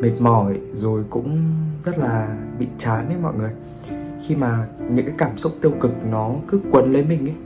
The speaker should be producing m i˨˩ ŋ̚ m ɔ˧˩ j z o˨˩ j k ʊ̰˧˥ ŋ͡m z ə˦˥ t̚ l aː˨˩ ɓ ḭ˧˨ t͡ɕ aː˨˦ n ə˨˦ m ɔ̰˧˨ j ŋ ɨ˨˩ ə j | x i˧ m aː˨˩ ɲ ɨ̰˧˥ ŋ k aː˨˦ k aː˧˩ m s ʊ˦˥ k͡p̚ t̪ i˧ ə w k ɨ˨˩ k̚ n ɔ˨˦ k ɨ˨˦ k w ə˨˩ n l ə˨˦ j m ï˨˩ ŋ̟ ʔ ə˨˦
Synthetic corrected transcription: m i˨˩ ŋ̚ m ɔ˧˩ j z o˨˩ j k ʊ̰˧˥ ŋ͡m z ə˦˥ t̚ l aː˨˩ ɓ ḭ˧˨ t͡ɕ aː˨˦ n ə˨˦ m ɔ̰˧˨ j ŋ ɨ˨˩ ə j | x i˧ m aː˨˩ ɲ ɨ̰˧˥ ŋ k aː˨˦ k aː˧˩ m s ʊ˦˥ k͡p̚ t̪ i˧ ə w k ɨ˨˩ k̚ n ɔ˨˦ k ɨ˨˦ k w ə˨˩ n l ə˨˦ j m ï˨˩ ŋ̟ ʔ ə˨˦